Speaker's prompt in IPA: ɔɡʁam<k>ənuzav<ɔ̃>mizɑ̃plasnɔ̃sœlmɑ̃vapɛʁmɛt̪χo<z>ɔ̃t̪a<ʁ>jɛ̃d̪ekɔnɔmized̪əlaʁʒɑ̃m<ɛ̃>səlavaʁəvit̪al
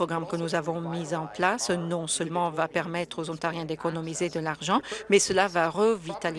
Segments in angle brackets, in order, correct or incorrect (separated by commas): correct, correct, correct, correct, incorrect